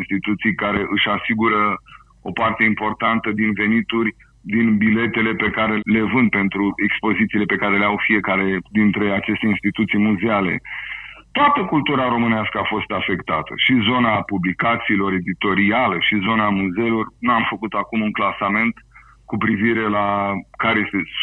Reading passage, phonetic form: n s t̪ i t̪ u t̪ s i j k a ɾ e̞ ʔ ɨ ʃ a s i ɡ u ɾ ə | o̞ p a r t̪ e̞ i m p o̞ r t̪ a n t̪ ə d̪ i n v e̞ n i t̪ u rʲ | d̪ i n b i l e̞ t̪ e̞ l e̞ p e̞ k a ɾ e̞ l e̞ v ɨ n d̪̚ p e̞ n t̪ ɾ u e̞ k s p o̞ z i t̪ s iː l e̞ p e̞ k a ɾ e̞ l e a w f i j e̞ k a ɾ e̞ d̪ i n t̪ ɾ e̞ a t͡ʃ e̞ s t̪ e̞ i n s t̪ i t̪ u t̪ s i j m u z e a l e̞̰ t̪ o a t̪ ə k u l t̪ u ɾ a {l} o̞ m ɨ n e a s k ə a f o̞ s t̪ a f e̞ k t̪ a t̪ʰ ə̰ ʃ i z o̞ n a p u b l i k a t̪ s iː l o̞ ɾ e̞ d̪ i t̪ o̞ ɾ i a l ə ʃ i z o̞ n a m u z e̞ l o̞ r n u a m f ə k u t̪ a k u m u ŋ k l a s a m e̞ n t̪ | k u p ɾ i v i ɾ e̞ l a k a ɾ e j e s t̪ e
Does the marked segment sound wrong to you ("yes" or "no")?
yes